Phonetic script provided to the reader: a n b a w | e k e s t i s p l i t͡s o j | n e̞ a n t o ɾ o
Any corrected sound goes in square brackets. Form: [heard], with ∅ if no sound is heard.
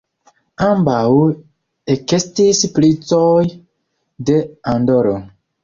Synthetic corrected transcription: a [m] b a w | e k e s t i s p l i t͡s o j | [d] e̞ a n [d] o ɾ o